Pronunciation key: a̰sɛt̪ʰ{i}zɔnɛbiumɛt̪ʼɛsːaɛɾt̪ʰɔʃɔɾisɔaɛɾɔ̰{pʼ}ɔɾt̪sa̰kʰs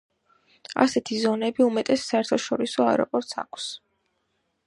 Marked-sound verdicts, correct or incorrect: correct, correct

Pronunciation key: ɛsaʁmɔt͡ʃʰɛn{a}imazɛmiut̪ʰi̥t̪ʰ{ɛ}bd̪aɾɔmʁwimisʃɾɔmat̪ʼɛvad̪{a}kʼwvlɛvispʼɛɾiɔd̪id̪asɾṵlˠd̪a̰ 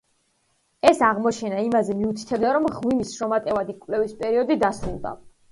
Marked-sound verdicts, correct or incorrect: correct, correct, incorrect

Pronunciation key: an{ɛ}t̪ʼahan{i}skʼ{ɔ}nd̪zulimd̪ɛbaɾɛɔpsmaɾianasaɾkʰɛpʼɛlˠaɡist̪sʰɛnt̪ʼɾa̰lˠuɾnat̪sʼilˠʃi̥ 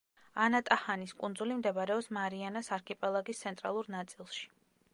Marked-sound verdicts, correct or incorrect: incorrect, correct, incorrect

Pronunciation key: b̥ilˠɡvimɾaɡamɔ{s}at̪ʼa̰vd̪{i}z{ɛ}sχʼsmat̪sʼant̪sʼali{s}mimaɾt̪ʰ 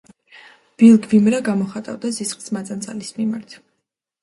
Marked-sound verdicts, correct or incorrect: incorrect, incorrect, incorrect, correct

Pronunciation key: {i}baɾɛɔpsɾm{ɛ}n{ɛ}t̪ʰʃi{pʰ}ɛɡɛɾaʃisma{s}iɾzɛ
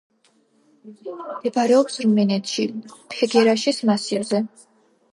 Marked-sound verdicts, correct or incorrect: incorrect, correct, correct, correct, correct

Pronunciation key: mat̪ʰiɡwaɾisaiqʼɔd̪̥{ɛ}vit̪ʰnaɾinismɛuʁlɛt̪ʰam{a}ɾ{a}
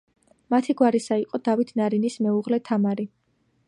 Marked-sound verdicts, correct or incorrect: incorrect, correct, incorrect

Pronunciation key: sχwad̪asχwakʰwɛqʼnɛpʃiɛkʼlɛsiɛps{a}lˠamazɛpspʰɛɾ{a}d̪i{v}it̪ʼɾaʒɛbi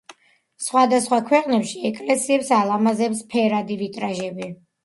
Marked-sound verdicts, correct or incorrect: correct, correct, correct

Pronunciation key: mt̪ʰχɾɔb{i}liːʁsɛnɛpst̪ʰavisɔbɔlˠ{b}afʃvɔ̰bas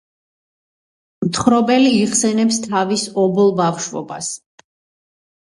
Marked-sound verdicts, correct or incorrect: incorrect, correct

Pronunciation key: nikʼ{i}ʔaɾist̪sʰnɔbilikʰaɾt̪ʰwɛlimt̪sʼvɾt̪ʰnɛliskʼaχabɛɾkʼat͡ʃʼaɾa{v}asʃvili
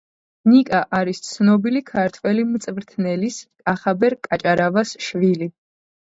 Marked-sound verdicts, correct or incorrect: incorrect, correct

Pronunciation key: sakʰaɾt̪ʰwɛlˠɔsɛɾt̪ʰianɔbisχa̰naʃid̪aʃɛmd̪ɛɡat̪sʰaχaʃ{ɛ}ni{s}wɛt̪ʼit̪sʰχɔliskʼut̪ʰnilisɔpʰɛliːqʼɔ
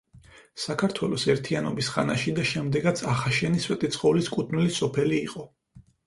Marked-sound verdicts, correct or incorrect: correct, correct

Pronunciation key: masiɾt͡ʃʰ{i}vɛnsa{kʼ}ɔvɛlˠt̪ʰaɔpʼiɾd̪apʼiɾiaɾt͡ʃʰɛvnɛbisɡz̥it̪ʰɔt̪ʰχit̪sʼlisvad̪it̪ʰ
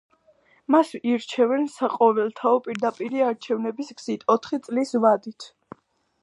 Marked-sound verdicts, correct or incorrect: incorrect, incorrect

